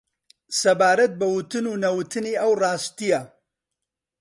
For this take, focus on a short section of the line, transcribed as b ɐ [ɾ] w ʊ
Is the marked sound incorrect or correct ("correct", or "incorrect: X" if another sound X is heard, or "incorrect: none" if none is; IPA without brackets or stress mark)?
incorrect: none